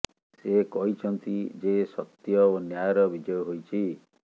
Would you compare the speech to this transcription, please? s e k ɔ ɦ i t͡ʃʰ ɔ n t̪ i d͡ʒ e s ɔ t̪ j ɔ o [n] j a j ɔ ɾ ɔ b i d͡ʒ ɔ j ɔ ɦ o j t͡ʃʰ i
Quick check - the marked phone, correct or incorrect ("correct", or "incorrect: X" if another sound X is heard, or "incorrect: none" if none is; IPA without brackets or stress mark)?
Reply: correct